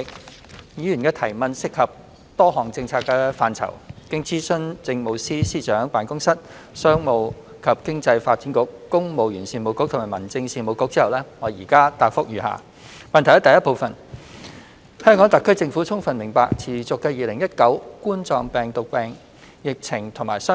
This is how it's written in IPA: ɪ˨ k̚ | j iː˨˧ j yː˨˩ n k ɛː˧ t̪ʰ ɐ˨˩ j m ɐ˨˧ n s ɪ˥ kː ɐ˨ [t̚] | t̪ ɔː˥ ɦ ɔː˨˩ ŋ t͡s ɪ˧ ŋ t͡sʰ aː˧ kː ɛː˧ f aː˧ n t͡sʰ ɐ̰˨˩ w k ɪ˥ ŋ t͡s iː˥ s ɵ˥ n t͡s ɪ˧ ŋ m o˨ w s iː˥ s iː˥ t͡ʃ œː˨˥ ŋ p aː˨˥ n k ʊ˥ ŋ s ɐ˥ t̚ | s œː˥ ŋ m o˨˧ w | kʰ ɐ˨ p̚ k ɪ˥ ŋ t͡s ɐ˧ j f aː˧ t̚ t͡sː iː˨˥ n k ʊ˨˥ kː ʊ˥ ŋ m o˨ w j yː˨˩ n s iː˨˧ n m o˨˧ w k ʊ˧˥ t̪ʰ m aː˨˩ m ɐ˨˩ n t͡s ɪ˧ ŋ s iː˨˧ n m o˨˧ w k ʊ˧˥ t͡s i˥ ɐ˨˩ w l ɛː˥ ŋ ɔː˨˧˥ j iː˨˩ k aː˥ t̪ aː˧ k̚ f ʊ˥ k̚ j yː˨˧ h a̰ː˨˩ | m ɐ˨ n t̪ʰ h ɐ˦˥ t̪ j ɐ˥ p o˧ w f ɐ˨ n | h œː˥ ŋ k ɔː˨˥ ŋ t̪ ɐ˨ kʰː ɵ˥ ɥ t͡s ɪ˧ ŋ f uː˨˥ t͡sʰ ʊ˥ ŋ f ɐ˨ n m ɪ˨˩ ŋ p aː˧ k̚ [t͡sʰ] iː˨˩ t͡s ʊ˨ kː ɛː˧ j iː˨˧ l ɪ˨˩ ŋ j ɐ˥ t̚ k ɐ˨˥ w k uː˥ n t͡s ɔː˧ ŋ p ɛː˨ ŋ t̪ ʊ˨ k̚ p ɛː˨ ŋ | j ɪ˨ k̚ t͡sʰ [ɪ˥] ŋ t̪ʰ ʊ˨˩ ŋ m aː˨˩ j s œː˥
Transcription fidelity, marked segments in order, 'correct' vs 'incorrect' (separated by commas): incorrect, correct, incorrect